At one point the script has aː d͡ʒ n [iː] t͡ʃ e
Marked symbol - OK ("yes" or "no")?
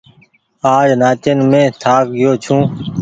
no